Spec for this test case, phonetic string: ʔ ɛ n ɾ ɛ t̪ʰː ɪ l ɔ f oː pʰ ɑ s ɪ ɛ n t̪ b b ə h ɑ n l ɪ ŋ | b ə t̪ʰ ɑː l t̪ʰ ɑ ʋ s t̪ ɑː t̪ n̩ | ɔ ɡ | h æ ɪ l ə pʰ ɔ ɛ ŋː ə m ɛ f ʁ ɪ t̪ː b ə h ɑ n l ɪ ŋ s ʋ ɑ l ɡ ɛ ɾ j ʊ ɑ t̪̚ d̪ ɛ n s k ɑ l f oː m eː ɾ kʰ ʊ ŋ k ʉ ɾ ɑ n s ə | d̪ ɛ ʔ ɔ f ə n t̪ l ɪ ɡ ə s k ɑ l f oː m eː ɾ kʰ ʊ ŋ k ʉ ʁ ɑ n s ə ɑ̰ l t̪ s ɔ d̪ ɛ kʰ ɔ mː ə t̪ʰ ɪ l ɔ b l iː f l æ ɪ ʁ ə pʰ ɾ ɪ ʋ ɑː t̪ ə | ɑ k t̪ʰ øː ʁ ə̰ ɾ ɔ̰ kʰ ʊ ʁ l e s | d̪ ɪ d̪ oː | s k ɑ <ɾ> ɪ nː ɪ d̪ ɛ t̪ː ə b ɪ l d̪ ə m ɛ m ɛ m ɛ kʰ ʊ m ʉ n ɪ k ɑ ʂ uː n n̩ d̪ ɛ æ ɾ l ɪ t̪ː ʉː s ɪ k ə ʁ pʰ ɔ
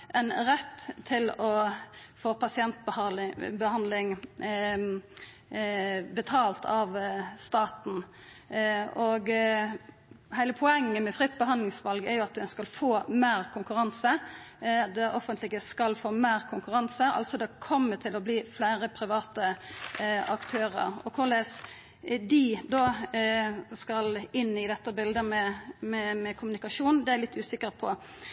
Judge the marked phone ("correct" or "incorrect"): incorrect